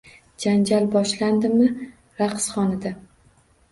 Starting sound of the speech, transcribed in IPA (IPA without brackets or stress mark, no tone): d͡ʒ